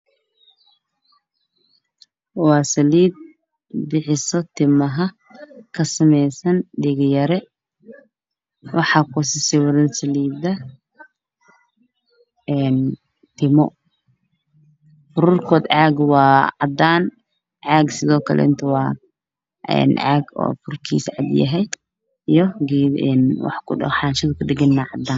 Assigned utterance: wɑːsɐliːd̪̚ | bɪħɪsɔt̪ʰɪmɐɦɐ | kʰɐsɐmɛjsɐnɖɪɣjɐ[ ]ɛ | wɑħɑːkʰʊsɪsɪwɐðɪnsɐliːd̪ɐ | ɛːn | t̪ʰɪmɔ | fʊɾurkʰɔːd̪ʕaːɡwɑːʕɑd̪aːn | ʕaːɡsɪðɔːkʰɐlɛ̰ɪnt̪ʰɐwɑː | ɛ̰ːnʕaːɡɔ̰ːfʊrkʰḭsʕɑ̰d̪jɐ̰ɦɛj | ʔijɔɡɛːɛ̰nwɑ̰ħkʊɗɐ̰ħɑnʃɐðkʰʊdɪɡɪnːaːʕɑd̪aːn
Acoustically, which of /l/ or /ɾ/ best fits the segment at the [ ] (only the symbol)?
ɾ